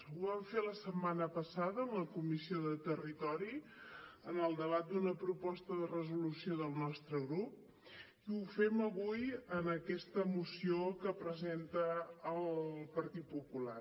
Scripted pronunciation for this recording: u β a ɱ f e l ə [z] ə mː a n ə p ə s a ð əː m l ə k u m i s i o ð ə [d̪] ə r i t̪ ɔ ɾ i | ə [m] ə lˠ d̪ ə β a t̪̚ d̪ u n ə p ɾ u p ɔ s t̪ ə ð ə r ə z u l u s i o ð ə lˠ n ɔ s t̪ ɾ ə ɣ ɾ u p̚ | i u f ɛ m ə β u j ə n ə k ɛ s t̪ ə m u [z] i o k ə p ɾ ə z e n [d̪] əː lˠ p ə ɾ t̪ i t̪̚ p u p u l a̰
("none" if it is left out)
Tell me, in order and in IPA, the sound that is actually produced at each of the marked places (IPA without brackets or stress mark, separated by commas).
s, t̪, n, s, t̪